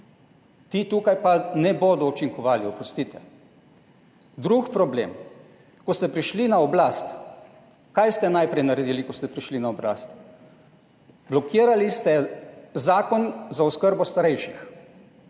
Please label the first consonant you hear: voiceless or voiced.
voiceless